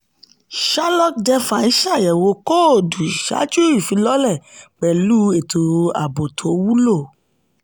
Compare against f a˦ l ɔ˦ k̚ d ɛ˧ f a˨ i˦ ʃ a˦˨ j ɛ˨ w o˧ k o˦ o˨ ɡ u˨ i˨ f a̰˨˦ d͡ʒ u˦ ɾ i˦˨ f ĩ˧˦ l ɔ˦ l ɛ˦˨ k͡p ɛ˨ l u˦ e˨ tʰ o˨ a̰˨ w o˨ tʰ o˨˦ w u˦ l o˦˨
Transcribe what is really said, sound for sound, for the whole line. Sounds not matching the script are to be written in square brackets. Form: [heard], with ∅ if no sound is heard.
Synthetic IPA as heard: [ʃ] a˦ l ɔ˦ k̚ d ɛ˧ f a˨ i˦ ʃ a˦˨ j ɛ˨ w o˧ k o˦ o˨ [d] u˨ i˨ [ʃ] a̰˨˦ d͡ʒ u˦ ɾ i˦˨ f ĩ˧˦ l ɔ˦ l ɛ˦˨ k͡p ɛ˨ l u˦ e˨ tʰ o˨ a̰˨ [b] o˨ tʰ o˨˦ w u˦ l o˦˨